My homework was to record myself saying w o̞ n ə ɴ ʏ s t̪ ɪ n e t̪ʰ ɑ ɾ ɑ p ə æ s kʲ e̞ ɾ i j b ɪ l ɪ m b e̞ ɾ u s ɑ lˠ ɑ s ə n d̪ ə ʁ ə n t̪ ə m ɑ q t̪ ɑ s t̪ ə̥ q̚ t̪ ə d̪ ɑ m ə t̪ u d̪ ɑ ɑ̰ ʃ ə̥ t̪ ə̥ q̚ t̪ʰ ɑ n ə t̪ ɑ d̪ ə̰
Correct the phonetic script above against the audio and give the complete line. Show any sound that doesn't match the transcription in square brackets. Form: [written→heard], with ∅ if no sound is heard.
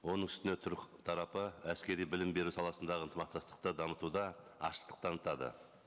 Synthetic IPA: w o̞ n ə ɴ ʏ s t̪ ɪ n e t̪ʰ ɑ ɾ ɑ p ə æ s kʲ e̞ ɾ i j b ɪ l ɪ m b e̞ ɾ u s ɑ lˠ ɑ s ə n d̪ [ə→ɑ] ʁ ə n t̪ ə m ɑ q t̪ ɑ s t̪ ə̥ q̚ t̪ ə d̪ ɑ m ə t̪ u d̪ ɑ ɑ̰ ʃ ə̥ t̪ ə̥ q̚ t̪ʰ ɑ n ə t̪ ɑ d̪ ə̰

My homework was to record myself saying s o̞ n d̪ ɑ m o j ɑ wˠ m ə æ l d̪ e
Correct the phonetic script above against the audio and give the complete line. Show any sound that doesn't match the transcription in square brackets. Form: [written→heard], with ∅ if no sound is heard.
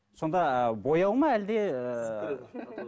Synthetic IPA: s o̞ n d̪ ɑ [m→b] o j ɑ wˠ m [ə→ɑ] æ l d̪ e

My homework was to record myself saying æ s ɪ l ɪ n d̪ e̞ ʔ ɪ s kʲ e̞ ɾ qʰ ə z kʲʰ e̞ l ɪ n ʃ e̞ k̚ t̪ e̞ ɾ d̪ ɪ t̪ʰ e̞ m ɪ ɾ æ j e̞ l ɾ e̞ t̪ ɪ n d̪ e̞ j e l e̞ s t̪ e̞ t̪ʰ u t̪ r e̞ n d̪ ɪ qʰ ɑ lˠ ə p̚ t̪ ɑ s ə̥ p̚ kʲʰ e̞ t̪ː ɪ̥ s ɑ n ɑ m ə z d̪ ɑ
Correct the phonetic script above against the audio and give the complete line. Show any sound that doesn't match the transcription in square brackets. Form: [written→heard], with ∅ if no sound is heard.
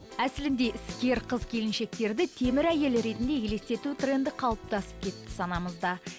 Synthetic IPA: æ s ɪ l ɪ n d̪ e̞ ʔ ɪ s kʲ e̞ ɾ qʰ ə z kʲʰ e̞ l ɪ n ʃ e̞ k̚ t̪ e̞ ɾ d̪ ɪ t̪ʰ e̞ m ɪ ɾ æ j e̞ l ɾ e̞ t̪ ɪ n d̪ e̞ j e l e̞ s t̪ e̞ [t̪ʰ→t̪] u t̪ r e̞ n d̪ ɪ qʰ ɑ lˠ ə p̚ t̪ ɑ s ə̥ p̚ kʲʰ e̞ t̪ː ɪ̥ s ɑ n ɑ m ə z d̪ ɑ

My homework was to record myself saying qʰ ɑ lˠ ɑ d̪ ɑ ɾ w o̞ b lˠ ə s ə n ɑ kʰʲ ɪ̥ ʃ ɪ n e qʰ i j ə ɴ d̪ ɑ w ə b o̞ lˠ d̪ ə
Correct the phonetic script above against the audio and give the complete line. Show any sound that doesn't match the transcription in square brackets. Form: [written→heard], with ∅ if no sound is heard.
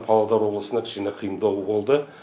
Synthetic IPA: [qʰ→pʰ] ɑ lˠ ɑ d̪ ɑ ɾ w o̞ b lˠ ə s ə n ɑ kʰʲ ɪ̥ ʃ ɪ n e qʰ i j ə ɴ d̪ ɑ w ə b o̞ lˠ d̪ ə

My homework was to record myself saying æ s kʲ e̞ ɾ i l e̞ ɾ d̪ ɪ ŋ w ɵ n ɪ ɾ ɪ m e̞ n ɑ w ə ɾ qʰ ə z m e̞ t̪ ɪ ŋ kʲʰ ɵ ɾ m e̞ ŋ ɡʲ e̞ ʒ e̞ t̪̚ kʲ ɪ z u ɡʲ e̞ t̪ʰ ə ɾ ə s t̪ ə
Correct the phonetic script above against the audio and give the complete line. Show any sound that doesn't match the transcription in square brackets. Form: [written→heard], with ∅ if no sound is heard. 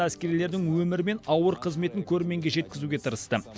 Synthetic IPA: æ s kʲ e̞ ɾ i l e̞ ɾ d̪ ɪ ŋ w ɵ [n→m] ɪ ɾ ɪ m e̞ n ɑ w ə ɾ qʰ ə z m e̞ t̪ ɪ ŋ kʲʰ ɵ ɾ m e̞ ŋ ɡʲ e̞ ʒ e̞ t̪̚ kʲ ɪ z u ɡʲ e̞ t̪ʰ ə ɾ ə s t̪ ə

